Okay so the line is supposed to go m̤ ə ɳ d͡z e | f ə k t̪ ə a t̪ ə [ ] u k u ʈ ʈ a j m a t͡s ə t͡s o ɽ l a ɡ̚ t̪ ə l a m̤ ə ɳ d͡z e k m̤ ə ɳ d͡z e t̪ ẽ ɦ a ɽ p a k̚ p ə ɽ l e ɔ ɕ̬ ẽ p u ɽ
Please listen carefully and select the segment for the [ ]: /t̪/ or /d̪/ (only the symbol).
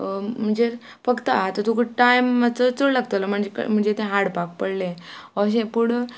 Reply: t̪